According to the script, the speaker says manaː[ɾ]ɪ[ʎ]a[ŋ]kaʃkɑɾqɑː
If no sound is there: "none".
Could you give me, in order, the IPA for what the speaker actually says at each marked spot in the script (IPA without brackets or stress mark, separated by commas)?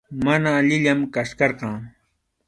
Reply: ʎ, ʎ, m